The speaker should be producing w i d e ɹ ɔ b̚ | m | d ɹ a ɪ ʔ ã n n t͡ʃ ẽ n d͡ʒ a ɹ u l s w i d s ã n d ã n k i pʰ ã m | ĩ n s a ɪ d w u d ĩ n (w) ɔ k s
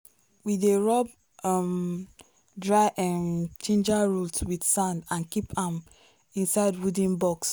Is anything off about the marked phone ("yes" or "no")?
yes